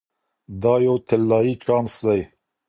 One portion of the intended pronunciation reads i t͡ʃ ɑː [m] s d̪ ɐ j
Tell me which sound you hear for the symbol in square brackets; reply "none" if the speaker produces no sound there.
n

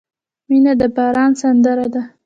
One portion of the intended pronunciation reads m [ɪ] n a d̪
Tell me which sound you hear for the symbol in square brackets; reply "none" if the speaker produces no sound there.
i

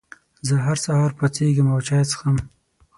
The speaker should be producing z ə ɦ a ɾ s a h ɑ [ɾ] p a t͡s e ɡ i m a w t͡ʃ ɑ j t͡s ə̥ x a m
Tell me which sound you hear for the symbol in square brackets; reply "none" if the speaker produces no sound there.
ɾ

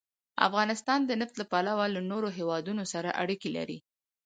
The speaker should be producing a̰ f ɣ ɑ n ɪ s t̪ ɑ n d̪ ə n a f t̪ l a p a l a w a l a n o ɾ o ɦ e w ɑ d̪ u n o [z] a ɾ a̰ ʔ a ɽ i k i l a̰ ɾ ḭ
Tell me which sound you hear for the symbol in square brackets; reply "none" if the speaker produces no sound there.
s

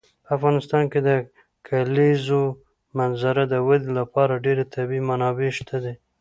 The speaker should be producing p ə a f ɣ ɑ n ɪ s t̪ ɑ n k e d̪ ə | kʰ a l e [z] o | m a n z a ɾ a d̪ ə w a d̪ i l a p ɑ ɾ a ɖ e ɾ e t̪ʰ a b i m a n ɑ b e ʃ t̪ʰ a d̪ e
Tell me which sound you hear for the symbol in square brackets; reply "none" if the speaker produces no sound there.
z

